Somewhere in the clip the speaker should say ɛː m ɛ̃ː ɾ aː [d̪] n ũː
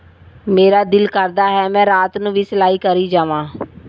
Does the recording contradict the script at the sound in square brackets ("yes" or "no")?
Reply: yes